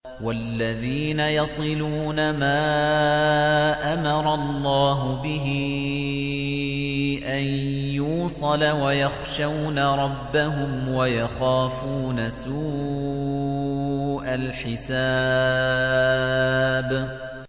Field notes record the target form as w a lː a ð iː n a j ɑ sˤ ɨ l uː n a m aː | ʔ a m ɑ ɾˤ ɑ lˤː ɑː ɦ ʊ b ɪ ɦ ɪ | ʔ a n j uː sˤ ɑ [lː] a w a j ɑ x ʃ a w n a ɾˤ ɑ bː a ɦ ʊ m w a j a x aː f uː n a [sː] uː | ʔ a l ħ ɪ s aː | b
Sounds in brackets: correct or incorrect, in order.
incorrect: l, incorrect: s

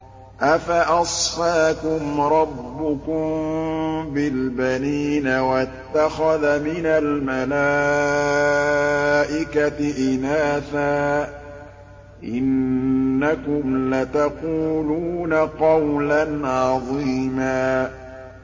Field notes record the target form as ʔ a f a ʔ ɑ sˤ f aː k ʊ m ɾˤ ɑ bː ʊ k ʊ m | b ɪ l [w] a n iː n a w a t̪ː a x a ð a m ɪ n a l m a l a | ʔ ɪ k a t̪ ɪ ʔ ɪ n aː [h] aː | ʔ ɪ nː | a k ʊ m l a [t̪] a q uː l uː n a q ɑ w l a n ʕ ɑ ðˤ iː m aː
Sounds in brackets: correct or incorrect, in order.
incorrect: b, incorrect: θ, correct

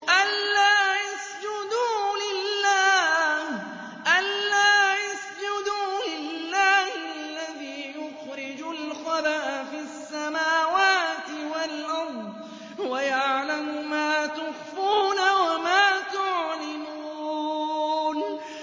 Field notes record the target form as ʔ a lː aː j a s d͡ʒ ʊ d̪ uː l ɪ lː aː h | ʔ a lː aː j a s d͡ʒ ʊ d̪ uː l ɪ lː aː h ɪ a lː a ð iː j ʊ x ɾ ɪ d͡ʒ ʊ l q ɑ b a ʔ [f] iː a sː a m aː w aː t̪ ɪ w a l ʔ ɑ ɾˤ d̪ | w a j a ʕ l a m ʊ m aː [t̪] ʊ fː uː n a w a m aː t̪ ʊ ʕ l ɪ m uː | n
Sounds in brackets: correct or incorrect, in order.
correct, correct

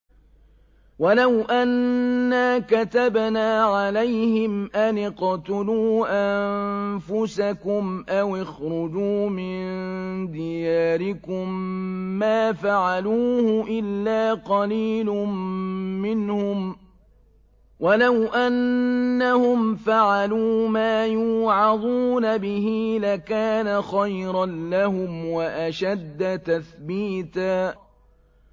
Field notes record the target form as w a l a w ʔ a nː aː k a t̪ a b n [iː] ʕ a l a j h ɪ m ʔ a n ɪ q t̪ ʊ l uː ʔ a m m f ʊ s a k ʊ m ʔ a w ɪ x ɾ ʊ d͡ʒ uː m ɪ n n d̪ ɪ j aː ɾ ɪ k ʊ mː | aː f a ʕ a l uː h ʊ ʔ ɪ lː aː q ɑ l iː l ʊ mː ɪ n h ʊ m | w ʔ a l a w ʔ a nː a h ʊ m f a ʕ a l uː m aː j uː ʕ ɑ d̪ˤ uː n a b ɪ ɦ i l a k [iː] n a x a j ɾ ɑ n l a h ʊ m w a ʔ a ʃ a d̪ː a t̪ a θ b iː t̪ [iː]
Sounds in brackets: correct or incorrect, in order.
incorrect: aː, incorrect: aː, incorrect: aː

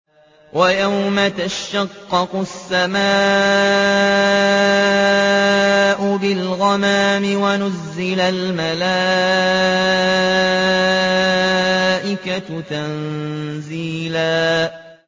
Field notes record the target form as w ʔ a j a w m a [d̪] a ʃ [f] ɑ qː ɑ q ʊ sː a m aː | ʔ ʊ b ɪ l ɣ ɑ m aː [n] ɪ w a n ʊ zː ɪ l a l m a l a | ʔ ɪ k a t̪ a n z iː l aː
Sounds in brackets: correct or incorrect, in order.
incorrect: t̪, incorrect: ʃ, incorrect: m

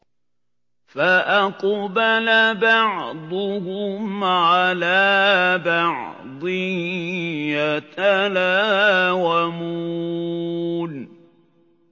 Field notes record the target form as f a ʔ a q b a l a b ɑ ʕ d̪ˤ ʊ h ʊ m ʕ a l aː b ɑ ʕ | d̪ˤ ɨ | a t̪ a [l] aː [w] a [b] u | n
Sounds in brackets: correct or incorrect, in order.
correct, correct, incorrect: m

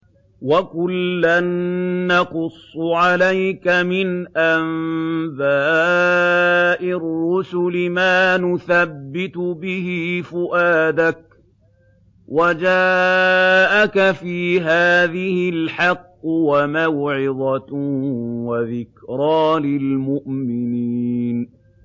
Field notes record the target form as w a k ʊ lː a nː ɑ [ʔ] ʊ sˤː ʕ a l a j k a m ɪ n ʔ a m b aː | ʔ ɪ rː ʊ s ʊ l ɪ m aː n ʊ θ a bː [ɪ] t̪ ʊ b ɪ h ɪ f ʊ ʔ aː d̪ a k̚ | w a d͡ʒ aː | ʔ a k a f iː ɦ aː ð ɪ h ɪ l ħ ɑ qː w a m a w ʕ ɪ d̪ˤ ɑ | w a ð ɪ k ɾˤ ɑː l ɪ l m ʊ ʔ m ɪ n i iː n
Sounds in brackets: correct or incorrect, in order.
incorrect: q, correct

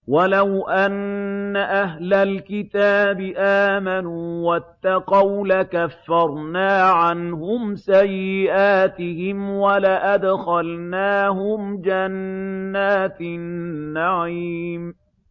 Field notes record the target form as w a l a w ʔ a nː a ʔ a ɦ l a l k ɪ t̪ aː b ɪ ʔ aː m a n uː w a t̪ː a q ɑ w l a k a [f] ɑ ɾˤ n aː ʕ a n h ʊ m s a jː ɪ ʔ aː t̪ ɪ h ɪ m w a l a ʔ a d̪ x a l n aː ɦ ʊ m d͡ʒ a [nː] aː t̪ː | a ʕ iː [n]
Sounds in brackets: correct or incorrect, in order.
incorrect: fː, correct, incorrect: m

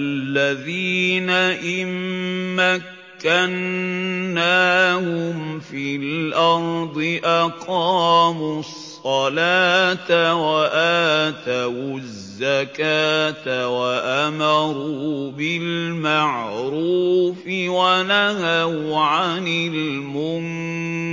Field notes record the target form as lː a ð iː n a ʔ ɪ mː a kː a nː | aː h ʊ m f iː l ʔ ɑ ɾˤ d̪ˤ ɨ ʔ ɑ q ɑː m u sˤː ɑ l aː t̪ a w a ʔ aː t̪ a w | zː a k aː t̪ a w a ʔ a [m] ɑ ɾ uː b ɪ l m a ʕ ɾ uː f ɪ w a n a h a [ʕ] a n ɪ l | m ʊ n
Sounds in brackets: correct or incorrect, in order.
correct, correct

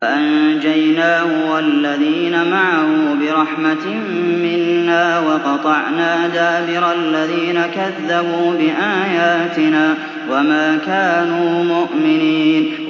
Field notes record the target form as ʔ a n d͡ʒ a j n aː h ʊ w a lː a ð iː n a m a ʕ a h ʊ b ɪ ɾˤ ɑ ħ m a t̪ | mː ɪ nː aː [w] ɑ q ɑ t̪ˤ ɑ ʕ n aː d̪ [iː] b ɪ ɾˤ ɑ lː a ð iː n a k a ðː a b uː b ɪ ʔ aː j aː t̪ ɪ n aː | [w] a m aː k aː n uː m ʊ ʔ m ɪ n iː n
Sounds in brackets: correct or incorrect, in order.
correct, incorrect: aː, correct

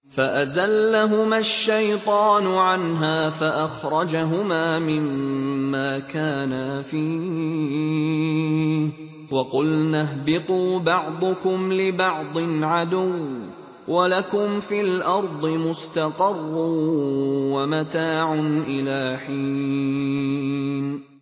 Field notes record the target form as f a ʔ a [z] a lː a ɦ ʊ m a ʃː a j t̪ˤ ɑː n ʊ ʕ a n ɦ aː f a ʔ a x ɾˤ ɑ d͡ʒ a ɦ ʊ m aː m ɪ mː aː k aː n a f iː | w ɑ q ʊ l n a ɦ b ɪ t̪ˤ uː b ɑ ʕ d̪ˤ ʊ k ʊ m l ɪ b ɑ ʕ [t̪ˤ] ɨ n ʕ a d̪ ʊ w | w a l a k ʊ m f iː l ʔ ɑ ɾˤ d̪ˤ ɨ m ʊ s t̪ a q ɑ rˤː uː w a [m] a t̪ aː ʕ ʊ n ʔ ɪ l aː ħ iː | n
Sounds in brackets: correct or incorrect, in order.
correct, incorrect: d̪ˤ, correct

